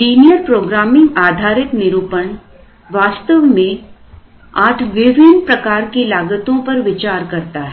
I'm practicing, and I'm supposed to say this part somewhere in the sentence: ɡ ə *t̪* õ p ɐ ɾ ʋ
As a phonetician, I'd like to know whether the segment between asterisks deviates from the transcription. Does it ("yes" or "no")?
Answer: no